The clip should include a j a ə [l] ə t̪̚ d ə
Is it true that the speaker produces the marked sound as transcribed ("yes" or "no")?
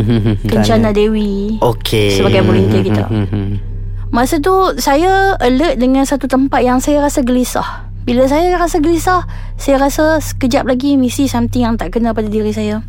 yes